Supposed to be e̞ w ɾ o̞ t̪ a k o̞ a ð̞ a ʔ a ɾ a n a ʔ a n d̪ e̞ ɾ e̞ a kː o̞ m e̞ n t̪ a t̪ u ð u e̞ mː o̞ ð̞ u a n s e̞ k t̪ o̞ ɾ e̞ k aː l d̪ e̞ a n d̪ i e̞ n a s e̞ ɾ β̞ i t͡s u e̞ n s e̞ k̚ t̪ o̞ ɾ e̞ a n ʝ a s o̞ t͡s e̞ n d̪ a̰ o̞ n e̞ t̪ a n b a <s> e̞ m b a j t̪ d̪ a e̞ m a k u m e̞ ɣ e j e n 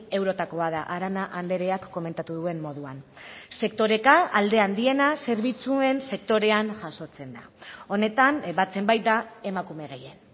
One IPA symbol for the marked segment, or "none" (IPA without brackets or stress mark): t͡s